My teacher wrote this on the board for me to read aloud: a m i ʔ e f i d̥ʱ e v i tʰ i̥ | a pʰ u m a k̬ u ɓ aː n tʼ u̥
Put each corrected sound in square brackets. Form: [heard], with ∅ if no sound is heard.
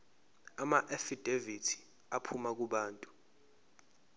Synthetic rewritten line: a m [a] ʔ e f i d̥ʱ e v i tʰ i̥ | a pʰ u m a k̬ u ɓ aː n tʼ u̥